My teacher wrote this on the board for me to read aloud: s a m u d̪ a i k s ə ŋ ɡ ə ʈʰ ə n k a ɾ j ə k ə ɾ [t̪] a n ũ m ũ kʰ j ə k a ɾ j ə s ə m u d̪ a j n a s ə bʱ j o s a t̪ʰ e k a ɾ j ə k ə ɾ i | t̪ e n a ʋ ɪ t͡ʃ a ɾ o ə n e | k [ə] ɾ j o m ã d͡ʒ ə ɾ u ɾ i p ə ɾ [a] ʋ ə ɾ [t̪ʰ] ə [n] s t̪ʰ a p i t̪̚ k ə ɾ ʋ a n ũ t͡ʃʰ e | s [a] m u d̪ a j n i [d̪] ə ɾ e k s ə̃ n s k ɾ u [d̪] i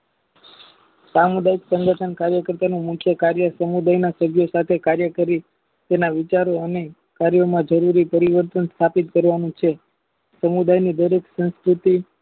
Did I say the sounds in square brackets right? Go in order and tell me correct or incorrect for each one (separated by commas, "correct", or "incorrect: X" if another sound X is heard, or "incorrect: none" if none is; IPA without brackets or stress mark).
correct, incorrect: a, incorrect: i, incorrect: t̪, correct, incorrect: ə, correct, incorrect: t̪